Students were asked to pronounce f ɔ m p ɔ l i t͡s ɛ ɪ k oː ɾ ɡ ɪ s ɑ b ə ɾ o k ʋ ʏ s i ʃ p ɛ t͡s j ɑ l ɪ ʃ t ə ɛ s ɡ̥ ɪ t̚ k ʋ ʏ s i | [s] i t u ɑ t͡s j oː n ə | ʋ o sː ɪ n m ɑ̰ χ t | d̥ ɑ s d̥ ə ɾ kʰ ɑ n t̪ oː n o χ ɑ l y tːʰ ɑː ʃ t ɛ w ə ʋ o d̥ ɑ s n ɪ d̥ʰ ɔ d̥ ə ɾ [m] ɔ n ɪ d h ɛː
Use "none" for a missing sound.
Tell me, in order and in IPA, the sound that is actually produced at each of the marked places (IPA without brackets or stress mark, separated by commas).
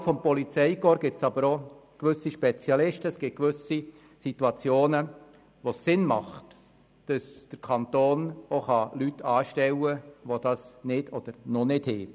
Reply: s, n